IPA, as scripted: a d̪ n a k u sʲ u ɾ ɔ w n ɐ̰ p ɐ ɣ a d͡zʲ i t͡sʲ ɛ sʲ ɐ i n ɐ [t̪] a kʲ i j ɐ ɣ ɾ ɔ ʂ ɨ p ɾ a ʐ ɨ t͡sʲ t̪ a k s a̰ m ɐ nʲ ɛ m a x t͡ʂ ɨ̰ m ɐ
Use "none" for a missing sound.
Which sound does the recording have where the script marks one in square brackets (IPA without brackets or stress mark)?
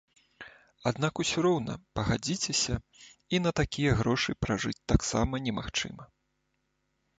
t̪